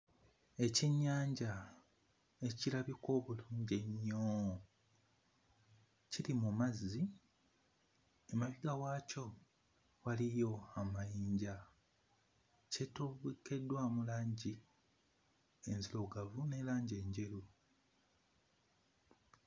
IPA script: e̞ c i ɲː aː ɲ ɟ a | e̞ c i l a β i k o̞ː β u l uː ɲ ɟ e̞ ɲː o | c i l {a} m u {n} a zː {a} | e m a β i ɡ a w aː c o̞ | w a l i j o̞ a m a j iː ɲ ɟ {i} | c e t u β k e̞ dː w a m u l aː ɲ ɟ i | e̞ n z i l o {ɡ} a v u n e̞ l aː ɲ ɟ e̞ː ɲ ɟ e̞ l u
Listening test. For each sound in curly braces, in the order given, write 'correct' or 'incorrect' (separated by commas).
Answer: incorrect, incorrect, incorrect, incorrect, correct